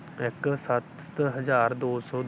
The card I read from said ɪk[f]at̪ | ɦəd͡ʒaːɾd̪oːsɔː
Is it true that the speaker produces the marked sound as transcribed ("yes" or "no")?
no